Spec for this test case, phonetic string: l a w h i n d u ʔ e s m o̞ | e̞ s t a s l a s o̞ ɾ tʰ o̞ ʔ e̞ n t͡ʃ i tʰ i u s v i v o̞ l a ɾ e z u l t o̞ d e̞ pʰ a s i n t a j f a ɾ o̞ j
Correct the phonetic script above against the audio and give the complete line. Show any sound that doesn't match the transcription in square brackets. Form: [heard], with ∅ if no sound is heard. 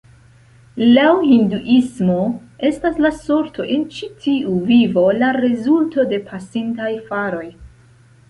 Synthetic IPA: l a w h i n d u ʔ [i] s m o̞ | e̞ s t a s l a s o̞ ɾ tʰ o̞ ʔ e̞ n t͡ʃ i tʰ i u [∅] v i v o̞ l a ɾ e z u l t o̞ d e̞ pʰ a s i n t a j f a ɾ o̞ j

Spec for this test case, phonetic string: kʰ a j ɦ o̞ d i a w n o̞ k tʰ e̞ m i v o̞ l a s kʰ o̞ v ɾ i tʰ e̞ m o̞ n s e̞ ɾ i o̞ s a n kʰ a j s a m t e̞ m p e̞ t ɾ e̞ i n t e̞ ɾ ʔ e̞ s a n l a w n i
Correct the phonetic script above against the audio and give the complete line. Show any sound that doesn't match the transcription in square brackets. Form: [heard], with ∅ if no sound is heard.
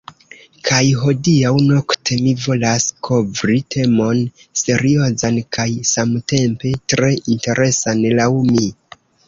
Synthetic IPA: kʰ a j ɦ o̞ d i a w n o̞ k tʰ e̞ m i v o̞ l a s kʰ o̞ v ɾ i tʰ e̞ m o̞ n s e̞ ɾ i o̞ [z] a n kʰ a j s a m t e̞ m p e̞ t ɾ e̞ i n t e̞ ɾ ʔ e̞ s a n l a w [m] i

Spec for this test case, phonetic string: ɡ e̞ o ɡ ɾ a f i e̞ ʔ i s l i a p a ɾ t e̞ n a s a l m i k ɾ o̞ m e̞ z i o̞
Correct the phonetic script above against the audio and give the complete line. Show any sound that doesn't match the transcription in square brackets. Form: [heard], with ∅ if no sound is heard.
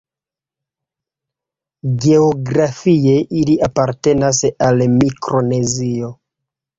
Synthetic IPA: ɡ e̞ o ɡ ɾ a f i e̞ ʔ i [∅] l i a p a ɾ t e̞ n a s a l m i k ɾ o̞ [n] e̞ z i o̞

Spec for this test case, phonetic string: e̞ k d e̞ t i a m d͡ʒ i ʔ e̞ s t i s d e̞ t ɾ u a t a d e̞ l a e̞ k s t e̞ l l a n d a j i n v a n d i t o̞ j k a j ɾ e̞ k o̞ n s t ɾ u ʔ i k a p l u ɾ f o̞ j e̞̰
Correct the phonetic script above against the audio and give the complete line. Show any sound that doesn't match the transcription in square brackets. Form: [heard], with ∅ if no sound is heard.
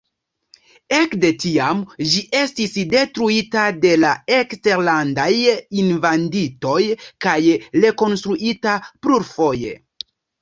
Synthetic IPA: e̞ k d e̞ t i a m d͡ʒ i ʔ e̞ s t i s d e̞ t ɾ u [i] t a d e̞ l a e̞ k s t e̞ [ɾ] l a n d a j i n v a n d i t o̞ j k a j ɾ e̞ k o̞ n s t ɾ u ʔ i [t] a p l u ɾ f o̞ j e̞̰

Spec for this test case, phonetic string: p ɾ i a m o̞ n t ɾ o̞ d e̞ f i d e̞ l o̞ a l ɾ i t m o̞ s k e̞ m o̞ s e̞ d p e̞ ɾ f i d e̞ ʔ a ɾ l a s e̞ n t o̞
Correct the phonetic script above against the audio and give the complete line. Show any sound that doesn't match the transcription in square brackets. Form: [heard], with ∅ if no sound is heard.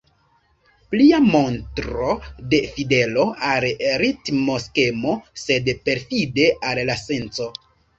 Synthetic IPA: p [l] i a m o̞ n t ɾ o̞ d e̞ f i d e̞ l o̞ a l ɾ i t m o̞ s k e̞ m o̞ s e̞ d p e̞ ɾ f i d e̞ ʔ a [l] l a s e̞ n [t͡s] o̞

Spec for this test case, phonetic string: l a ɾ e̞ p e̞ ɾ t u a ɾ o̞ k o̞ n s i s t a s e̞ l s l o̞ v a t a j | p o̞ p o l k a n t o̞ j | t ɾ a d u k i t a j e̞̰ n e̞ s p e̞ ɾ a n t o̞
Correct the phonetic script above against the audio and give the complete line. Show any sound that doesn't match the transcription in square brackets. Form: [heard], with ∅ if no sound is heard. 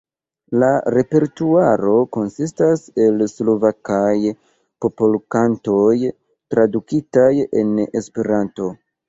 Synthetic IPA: l a ɾ e̞ p e̞ ɾ t u a ɾ o̞ k o̞ n s i s t a s e̞ l s l o̞ v a [k] a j | p o̞ p o l k a n t o̞ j | t ɾ a d u k i t a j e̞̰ n e̞ s p e̞ ɾ a n t o̞

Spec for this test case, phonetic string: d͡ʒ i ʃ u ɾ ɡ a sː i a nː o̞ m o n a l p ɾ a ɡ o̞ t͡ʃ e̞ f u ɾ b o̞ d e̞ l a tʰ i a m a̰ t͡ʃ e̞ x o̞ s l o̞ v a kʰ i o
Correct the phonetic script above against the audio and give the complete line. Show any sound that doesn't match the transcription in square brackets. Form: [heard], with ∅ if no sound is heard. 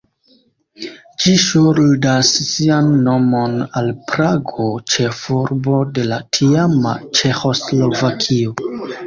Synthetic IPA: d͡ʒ i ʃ u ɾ [d] a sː i a nː o̞ m o n a l p ɾ a ɡ o̞ t͡ʃ e̞ f u ɾ b o̞ d e̞ l a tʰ i a m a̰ t͡ʃ e̞ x o̞ s l o̞ v a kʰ i o

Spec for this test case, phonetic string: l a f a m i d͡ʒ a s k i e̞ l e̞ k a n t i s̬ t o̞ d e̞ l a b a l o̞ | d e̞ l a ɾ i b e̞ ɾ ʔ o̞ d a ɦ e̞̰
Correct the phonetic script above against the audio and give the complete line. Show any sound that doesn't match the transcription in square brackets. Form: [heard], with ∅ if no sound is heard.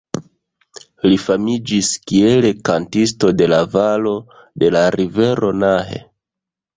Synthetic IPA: l [i] f a m i d͡ʒ [i] s k i e̞ l e̞ k a n t i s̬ t o̞ d e̞ l a [v] a l o̞ | d e̞ l a ɾ i [v] e̞ ɾ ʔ o̞ [n] a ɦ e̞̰

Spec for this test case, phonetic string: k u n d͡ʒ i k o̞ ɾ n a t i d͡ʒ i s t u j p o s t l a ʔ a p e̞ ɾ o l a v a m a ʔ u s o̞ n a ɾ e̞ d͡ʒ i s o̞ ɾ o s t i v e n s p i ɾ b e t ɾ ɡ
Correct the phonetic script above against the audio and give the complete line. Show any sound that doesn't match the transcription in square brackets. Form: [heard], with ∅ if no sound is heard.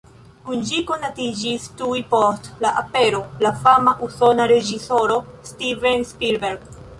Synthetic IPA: k u n d͡ʒ i k o̞ [∅] n a t i d͡ʒ i s t u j p o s t l a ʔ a p e̞ ɾ o l a [f] a m a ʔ u s o̞ n a ɾ e̞ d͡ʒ i s o̞ ɾ o s t i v e n s p i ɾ b e [∅] ɾ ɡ

